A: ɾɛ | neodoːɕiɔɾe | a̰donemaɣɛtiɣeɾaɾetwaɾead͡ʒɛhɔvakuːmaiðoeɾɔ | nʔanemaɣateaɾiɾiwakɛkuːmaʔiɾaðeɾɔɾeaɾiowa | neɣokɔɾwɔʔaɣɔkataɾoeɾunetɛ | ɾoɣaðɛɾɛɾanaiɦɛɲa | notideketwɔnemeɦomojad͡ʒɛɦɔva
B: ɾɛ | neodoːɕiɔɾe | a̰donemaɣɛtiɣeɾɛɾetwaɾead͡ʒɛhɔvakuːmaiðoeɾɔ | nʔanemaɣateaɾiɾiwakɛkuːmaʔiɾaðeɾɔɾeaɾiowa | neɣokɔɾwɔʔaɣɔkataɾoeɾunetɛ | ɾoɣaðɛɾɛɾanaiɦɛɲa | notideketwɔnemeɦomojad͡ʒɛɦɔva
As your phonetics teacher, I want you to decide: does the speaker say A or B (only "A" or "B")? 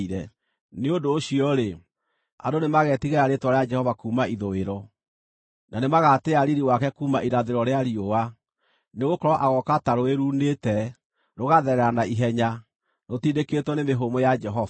A